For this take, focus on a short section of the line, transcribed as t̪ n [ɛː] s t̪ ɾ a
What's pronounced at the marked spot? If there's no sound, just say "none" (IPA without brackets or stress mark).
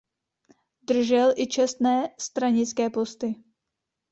ɛː